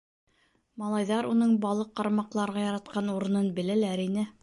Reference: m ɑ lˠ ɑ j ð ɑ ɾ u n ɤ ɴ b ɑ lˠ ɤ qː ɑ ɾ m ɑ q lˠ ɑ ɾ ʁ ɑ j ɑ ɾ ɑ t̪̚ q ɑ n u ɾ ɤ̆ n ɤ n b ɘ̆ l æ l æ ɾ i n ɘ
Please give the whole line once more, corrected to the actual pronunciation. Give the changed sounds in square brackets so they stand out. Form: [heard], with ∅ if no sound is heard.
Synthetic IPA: m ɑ lˠ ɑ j ð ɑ ɾ u n ɤ ɴ b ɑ lˠ ɤ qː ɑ ɾ m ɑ q lˠ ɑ ɾ ʁ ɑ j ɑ ɾ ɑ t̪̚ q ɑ n u ɾ ɤ̆ n ɤ n b ɘ̆ l æ l æ ɾ i n ɘ